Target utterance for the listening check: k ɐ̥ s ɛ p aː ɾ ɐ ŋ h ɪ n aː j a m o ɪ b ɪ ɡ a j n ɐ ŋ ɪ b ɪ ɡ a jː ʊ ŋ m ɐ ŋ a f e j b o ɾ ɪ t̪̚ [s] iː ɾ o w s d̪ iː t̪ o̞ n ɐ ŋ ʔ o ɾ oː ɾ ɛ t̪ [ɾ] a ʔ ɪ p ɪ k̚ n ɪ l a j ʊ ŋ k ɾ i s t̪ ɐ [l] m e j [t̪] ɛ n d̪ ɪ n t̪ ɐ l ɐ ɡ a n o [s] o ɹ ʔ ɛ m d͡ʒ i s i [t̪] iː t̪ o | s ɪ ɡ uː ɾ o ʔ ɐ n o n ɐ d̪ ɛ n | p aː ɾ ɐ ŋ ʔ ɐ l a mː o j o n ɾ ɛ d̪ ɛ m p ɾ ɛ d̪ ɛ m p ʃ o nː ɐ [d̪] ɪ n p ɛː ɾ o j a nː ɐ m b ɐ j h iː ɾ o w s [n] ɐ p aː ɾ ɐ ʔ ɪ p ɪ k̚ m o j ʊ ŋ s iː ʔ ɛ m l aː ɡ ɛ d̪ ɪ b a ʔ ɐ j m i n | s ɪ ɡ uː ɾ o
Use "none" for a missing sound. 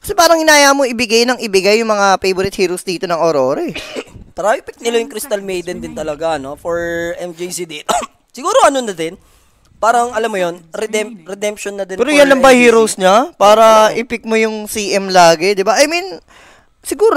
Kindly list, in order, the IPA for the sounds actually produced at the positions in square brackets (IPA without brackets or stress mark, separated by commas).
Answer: h, ɾ, l, d̪, f, d̪, d̪, ɲ